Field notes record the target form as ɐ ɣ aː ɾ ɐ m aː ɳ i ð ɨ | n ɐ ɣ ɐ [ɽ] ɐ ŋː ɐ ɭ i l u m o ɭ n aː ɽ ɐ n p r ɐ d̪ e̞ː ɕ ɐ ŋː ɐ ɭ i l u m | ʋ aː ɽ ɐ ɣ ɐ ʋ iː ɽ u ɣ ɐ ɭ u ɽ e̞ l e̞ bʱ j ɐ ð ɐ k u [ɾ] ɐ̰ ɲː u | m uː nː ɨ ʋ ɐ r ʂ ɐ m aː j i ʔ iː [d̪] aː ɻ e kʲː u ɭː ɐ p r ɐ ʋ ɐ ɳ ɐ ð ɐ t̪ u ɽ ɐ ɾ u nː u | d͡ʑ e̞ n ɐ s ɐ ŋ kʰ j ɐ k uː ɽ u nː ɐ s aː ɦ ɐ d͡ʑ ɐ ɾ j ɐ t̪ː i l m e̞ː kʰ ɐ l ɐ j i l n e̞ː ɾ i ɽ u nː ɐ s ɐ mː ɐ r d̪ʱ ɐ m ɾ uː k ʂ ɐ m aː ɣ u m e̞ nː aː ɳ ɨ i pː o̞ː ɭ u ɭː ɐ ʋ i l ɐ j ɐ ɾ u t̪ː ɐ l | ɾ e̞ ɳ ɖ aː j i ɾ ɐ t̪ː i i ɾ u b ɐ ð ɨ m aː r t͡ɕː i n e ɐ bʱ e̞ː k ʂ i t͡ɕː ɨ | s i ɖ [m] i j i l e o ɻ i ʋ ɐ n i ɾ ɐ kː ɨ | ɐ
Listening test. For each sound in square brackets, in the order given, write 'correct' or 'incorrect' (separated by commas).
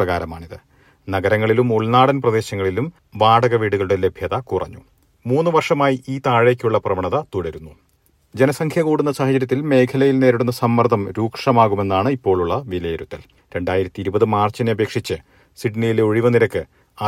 incorrect, incorrect, incorrect, incorrect